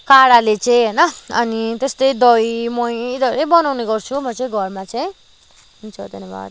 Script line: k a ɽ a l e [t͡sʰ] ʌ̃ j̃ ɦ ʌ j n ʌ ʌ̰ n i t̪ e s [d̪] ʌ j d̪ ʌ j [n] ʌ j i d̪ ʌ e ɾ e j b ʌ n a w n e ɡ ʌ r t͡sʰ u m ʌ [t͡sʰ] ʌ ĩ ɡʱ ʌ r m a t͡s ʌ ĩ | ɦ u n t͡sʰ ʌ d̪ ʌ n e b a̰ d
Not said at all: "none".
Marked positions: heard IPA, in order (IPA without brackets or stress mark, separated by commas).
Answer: t͡s, t̪, m, t͡s